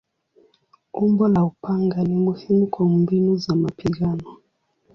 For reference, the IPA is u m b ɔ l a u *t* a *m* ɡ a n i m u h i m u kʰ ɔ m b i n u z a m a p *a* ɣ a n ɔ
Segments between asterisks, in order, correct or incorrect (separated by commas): incorrect, incorrect, incorrect